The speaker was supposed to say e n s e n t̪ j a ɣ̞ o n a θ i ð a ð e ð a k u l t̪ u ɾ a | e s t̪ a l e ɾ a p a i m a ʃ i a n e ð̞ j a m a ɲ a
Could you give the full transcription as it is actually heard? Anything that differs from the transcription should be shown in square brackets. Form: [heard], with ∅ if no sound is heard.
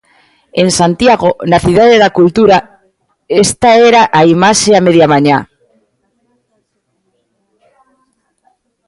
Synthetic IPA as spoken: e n s [a] n t̪ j a ɣ̞ o n a θ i ð a ð e ð a k u l t̪ u ɾ a | e s t̪ a [∅] e ɾ a [ʔ] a i m a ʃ [e] a [m] e ð̞ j a m a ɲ a